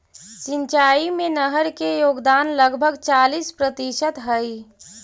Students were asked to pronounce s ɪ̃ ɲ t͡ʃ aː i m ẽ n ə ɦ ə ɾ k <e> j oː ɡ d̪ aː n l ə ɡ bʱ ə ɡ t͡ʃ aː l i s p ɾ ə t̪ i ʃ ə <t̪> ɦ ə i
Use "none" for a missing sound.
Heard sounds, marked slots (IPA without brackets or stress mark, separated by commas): e, t̪